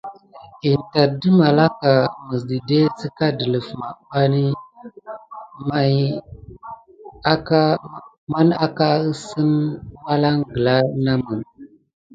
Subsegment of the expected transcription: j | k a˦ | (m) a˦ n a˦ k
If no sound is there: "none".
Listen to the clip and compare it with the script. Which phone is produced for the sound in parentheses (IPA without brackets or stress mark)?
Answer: m